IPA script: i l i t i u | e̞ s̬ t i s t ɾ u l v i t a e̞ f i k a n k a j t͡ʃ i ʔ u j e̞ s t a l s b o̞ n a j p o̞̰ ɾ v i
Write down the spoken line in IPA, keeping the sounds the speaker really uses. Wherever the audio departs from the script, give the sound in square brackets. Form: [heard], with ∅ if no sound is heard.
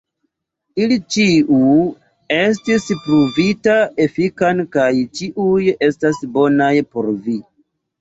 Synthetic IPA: i l i [t͡ʃ] i u | e̞ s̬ t i s [p] ɾ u [∅] v i t a e̞ f i k a n k a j t͡ʃ i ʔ u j e̞ s t a [∅] s b o̞ n a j p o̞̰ ɾ v i